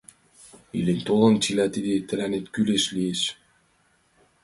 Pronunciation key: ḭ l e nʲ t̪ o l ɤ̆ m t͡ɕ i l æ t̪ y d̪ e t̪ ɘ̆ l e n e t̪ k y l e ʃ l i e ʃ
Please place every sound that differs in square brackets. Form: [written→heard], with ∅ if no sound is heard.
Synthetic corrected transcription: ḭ l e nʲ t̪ o l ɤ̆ [m→n] t͡ɕ i l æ t̪ [y→i] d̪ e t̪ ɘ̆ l [e→æ] n e t̪ k y l e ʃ l i e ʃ